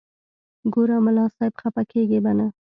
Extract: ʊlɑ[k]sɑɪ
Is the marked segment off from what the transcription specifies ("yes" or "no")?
yes